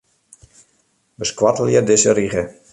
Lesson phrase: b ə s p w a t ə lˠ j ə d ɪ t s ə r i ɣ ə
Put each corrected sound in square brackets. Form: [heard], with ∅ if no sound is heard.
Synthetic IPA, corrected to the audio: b ə s [k] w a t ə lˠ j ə d ɪ [∅] s ə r i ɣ ə

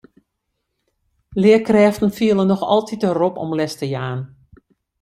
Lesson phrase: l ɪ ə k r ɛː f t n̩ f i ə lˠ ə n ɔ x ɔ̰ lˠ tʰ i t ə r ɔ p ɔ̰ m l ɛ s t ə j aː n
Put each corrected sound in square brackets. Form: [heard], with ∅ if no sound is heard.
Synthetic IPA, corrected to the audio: l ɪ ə k r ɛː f t n̩ f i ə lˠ ə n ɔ x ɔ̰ lˠ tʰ i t ə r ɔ p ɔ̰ m l ɛ s t ə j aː n

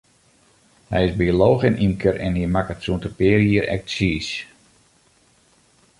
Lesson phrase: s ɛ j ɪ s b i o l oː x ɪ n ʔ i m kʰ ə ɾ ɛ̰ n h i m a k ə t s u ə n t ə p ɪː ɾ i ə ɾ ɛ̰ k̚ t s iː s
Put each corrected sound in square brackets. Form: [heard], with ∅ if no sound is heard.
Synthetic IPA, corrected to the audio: [h] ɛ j ɪ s b i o l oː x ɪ n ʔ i m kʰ ə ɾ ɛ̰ n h i m a k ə t s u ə n t ə p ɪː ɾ i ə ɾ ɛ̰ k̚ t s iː s

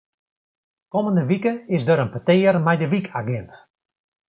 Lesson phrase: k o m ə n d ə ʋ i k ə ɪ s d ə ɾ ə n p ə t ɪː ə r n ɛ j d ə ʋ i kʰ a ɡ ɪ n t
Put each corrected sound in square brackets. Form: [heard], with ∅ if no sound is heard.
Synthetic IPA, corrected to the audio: k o m ə n d ə ʋ i k ə ɪ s d ə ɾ ə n p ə t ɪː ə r [m] ɛ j d ə ʋ i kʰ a ɡ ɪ n t

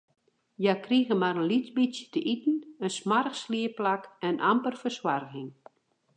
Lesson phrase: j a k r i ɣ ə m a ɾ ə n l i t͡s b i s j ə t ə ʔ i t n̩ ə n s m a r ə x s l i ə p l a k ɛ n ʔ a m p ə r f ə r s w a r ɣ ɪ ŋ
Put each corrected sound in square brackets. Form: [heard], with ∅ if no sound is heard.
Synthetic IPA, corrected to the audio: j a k r i ɣ ə m a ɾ ə n l i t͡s b i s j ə t ə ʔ i t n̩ ə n s m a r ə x s l i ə p l a k ɛ n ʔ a m p ə r f ə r s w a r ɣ ɪ ŋ

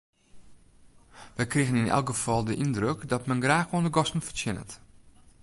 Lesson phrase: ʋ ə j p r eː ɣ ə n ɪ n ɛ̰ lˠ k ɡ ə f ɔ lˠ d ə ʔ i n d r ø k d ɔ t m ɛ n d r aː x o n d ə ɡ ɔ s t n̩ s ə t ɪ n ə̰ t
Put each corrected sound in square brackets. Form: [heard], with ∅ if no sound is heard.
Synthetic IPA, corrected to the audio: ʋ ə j [k] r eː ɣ ə n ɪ n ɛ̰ lˠ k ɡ ə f ɔ lˠ d ə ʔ i n d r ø k d ɔ t m ɛ n [ɡ] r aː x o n d ə ɡ ɔ s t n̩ [f] ə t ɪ n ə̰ t

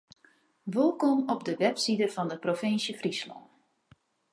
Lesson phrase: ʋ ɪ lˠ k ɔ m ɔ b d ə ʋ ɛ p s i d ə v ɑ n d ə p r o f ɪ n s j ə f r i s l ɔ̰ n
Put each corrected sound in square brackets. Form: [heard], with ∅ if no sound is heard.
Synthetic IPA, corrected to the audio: ʋ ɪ lˠ k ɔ m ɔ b d ə ʋ ɛ p s i d ə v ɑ n d ə p r o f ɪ n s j ə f r i s l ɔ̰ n

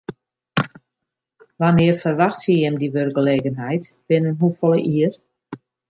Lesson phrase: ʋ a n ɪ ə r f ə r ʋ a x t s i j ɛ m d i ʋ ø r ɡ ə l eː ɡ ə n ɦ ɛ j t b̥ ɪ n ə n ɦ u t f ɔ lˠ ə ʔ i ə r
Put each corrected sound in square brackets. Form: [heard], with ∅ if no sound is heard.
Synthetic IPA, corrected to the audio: ʋ a n ɪ ə r f ə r ʋ a x t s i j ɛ m d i ʋ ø r ɡ ə l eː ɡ ə n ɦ ɛ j t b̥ ɪ n ə n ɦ u [∅] f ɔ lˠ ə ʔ i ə r

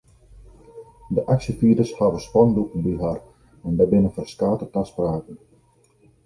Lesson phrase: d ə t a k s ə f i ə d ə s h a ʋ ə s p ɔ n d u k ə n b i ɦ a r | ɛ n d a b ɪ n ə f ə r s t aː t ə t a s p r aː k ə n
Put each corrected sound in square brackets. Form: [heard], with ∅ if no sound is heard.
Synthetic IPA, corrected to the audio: d ə [ʔ] a k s ə f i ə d ə s h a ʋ ə s p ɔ n d u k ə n b i ɦ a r | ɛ n d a b ɪ n ə f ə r s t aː t ə t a s p r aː k ə n

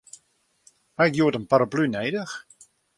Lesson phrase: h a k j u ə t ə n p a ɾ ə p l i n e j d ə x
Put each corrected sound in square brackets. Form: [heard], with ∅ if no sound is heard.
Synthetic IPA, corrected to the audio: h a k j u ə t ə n p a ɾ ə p l [y] n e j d ə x

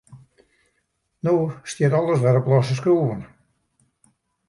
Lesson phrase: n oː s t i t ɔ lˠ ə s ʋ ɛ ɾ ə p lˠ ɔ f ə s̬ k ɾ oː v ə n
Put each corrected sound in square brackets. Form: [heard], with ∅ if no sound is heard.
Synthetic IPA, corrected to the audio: n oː s t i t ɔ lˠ ə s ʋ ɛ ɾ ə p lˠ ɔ [s] ə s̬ k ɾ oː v ə n

